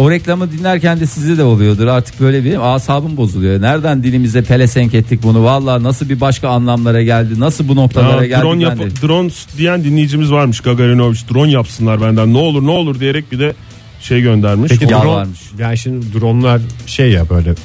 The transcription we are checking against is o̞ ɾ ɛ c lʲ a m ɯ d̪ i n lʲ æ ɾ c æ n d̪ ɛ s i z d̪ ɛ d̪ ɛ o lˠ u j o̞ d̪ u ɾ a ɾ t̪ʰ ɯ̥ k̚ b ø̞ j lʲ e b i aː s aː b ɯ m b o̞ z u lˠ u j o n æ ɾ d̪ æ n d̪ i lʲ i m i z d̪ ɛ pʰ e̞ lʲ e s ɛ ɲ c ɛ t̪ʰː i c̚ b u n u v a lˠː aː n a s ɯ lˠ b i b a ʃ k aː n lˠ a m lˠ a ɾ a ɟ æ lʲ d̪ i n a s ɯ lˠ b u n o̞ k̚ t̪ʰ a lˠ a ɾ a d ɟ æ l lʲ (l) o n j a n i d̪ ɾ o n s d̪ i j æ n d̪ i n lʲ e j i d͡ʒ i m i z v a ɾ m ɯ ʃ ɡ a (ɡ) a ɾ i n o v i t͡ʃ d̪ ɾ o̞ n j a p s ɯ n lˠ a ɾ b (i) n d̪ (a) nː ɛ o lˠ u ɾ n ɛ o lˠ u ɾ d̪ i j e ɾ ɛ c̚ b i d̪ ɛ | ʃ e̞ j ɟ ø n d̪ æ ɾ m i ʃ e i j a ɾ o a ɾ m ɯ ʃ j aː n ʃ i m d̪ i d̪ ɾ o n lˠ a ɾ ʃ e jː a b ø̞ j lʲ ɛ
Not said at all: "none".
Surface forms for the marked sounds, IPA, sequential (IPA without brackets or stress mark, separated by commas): ɾ, ɡ, æ, æ